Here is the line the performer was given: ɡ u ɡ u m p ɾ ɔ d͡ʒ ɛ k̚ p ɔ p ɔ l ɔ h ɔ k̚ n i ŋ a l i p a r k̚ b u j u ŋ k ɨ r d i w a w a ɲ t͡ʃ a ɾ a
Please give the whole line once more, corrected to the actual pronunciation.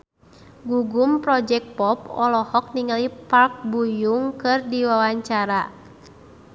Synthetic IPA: ɡ u ɡ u m p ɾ ɔ d͡ʒ ɛ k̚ p ɔ p ɔ l ɔ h ɔ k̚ n i ŋ a l i p a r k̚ b u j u ŋ k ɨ r d i w a w a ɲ t͡ʃ a ɾ a